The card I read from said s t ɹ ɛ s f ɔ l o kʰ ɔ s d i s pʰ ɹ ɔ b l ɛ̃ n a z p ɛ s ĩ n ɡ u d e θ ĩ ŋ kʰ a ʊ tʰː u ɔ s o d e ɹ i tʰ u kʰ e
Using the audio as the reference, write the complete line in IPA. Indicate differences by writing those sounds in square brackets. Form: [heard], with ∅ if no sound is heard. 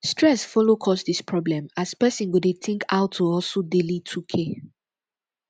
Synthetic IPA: s t ɹ ɛ s f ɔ l o kʰ ɔ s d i s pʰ ɹ ɔ b l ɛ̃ [m] a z p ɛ s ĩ n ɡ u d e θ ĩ ŋ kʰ a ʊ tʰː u ɔ s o d e [l] i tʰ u kʰ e